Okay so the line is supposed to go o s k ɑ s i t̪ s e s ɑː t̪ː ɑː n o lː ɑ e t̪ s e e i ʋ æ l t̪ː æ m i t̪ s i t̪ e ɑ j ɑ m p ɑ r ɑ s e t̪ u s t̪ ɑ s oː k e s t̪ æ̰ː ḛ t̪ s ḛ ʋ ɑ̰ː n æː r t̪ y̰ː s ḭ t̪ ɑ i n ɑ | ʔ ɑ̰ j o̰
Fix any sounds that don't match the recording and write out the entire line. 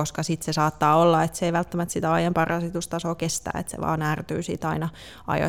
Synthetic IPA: o s k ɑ s i t̪ s e s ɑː t̪ː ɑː o lː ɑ e t̪ s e e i ʋ æ l t̪ː æ m æ t̪ s i t̪ æ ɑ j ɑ m p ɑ r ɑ s i t̪ u s t̪ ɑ s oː k e s t̪ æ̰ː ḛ t̪ s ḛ ʋ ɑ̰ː n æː r t̪ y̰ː s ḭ t̪ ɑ i n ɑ | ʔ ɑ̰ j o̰